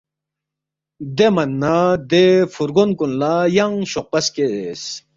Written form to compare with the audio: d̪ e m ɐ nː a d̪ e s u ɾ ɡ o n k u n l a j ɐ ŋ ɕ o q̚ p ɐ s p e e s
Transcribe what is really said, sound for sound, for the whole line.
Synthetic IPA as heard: d̪ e m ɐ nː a d̪ e f u ɾ ɡ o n k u n l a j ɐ ŋ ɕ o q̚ p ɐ s k e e s